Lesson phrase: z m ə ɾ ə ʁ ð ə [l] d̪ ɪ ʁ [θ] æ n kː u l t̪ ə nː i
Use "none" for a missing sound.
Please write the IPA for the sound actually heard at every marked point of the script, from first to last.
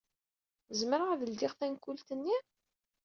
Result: l, θ

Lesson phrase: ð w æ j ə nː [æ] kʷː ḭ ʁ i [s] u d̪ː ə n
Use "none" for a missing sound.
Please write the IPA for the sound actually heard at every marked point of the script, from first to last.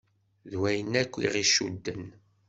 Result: æ, ʃ

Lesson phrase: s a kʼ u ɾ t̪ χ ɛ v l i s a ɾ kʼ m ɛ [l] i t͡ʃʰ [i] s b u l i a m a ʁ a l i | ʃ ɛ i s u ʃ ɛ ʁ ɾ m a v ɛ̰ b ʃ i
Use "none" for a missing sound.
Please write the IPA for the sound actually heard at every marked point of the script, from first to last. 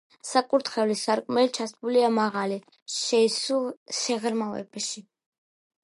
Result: l, a

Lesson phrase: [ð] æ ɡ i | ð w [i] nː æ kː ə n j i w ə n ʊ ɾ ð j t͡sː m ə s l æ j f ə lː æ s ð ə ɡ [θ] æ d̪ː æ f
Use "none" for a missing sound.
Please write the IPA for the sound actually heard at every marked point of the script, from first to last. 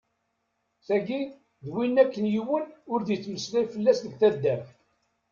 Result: θ, i, θ

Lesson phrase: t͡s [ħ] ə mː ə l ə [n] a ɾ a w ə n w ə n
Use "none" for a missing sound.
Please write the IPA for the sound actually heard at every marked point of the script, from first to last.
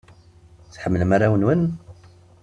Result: ħ, m

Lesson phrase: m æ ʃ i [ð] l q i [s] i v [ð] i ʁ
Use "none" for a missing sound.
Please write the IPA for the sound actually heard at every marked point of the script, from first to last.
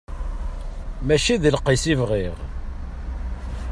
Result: ð, s, ʁ

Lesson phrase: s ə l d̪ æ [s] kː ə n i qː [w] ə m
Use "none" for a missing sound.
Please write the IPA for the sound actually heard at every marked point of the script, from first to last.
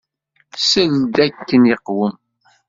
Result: none, w

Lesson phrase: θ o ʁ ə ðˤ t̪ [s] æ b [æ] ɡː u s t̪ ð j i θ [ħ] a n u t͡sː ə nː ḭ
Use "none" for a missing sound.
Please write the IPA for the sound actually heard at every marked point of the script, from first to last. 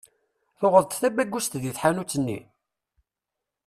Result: θ, æ, ħ

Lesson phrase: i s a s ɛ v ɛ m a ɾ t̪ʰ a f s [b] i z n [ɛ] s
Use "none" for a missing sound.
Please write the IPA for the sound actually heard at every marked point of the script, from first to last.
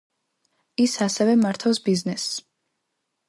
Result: b, ɛ

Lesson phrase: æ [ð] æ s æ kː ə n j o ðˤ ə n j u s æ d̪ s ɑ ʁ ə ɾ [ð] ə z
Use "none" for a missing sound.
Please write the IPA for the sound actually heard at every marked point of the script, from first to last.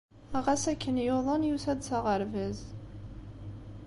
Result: ʁ, v

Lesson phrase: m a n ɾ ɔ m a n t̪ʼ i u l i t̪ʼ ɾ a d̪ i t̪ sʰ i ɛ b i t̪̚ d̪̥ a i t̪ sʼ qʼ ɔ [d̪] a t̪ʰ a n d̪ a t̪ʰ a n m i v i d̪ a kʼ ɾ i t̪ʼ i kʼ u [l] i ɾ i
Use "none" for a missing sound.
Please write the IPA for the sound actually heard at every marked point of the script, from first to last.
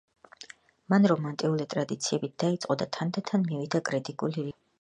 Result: d̪, l

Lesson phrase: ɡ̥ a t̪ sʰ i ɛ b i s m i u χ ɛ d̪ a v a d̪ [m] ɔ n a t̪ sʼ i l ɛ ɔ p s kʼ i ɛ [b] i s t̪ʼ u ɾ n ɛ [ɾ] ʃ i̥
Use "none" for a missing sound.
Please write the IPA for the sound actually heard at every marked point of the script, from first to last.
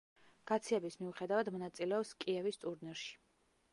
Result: m, v, ɾ

